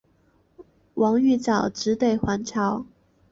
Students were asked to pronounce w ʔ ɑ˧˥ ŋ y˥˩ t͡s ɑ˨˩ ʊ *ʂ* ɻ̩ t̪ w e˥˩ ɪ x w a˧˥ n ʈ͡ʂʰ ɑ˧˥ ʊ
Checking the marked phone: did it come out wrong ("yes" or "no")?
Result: yes